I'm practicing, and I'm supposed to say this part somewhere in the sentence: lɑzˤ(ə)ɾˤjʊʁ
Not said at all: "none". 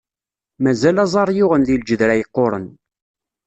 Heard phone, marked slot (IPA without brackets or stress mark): ɑ